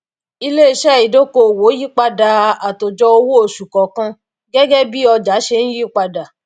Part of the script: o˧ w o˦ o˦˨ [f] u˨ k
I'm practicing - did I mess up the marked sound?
yes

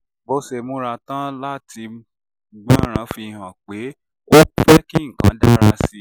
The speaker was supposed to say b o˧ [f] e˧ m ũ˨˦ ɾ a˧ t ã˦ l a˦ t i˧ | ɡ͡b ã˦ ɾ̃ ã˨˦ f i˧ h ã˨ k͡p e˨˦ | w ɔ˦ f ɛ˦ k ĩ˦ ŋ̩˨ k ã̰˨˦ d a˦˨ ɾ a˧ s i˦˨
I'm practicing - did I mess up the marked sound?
yes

